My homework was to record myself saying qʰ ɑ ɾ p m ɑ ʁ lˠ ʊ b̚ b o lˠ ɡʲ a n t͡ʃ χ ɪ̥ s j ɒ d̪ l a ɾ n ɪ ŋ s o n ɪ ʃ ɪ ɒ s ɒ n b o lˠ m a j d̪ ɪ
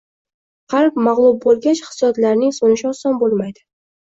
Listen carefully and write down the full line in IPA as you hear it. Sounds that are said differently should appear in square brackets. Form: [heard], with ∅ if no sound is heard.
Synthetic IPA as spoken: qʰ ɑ ɾ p m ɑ ʁ lˠ ʊ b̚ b o lˠ ɡʲ a [∅] t͡ʃ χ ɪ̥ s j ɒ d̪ l a ɾ n ɪ ŋ s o n ɪ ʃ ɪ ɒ s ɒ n b o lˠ m a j d̪ ɪ